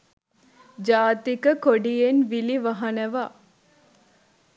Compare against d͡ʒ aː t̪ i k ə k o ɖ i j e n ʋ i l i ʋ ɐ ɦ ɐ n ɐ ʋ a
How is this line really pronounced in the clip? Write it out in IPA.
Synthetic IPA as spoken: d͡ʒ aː t̪ i k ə k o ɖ i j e n ʋ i l i ʋ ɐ ɦ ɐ n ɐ ʋ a